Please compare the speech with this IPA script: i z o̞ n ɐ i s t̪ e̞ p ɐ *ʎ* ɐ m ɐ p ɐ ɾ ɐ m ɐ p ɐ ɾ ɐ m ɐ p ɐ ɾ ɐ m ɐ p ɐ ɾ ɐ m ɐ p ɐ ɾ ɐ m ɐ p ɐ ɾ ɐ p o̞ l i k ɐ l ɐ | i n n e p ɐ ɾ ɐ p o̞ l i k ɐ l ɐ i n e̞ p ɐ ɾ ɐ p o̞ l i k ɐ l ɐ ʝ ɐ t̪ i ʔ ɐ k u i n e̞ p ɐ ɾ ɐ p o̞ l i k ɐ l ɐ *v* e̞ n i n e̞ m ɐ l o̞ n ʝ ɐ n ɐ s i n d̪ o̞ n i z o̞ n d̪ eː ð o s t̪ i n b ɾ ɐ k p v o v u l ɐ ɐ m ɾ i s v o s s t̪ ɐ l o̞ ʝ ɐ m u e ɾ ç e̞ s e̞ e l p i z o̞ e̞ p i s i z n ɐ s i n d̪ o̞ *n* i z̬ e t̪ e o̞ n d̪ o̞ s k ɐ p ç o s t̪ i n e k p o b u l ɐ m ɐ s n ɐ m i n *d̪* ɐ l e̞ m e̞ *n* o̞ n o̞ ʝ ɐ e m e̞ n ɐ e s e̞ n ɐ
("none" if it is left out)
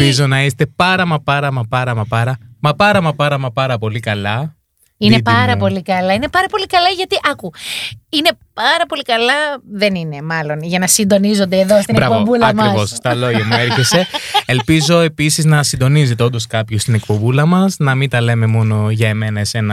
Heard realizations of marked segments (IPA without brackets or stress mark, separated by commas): ɾ, ð, n, t̪, m